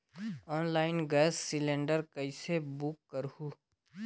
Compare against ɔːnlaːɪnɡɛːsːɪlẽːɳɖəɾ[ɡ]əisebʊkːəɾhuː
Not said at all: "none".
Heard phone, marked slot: k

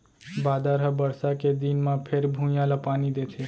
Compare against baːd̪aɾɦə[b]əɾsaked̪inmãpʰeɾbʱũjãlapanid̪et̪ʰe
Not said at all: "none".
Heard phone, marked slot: b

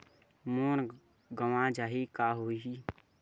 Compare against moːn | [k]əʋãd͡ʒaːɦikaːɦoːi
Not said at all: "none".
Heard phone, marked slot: ɡ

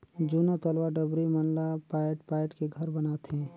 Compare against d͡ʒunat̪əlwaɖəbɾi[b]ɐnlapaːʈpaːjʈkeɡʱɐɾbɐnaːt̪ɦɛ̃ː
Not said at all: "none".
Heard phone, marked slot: m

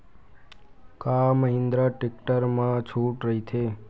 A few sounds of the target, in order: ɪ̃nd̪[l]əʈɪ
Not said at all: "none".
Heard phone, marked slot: ɾ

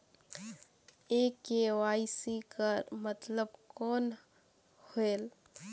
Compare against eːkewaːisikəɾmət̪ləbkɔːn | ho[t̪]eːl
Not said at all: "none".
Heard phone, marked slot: none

